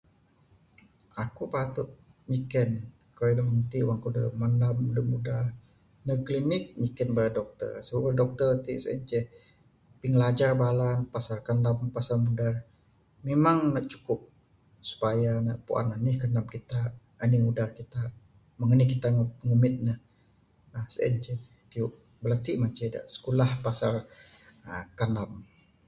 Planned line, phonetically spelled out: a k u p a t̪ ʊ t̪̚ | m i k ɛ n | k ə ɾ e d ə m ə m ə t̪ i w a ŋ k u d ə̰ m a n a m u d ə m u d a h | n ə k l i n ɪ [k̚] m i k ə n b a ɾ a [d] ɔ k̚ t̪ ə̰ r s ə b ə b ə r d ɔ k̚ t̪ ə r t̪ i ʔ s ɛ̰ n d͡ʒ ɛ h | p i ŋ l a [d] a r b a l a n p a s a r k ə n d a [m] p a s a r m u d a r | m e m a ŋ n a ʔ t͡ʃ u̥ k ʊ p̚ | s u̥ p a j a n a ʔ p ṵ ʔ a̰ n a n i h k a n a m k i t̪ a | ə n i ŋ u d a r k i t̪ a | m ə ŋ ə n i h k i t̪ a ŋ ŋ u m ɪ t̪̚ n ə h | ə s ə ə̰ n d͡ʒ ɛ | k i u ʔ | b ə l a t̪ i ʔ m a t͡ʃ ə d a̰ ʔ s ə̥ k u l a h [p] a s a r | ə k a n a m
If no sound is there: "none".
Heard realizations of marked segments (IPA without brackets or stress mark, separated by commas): k̚, d, d͡ʒ, m, p